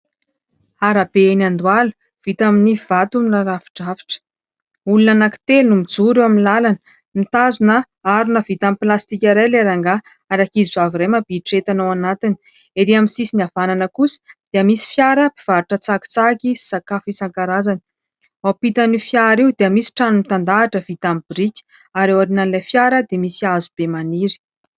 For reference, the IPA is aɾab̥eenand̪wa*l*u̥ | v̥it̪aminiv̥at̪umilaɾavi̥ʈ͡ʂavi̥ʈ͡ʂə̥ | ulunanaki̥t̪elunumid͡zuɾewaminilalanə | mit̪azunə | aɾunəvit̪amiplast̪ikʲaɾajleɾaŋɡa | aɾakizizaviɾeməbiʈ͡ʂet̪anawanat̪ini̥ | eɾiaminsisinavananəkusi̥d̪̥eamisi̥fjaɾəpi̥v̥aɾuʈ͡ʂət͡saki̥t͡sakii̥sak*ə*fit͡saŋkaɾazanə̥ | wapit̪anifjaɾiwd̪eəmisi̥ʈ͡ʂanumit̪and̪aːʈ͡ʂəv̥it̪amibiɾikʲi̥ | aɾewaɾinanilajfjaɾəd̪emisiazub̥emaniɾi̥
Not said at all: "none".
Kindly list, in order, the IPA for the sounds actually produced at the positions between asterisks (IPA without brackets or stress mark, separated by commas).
l, a